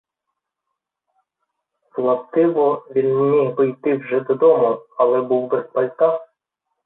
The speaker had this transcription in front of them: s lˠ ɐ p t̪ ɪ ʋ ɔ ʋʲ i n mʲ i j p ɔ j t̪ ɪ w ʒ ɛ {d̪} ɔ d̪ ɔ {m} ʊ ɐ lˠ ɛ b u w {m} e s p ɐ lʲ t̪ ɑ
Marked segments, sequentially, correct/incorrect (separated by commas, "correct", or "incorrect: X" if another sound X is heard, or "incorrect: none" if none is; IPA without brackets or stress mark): correct, correct, incorrect: b